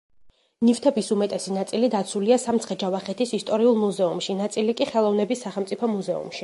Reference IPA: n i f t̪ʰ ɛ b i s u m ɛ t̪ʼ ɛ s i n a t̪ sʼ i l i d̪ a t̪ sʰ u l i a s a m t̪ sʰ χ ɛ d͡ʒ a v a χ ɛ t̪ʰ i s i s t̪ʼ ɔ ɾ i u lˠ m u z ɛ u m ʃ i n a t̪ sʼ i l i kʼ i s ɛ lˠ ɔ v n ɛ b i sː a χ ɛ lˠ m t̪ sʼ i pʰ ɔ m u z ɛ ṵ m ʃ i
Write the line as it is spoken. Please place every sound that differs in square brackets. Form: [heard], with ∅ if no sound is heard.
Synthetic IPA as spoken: n i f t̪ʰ ɛ b i s u m ɛ t̪ʼ ɛ s i n a t̪ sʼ i l i d̪ a t̪ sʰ u l i a s a m t̪ sʰ χ ɛ d͡ʒ a v a χ ɛ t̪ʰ i s i s t̪ʼ ɔ ɾ i u lˠ m u z ɛ u m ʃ i n a t̪ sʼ i l i kʼ i [χ] ɛ lˠ ɔ v n ɛ b i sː a χ ɛ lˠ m t̪ sʼ i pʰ ɔ m u z ɛ ṵ m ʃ i